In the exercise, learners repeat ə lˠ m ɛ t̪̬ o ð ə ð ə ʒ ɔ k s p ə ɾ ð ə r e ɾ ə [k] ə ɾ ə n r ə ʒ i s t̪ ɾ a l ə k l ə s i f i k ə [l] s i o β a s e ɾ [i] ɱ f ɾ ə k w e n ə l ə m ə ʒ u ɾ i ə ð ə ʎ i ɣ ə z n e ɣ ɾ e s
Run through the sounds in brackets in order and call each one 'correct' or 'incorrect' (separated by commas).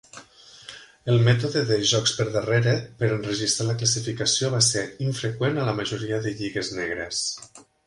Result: incorrect, incorrect, correct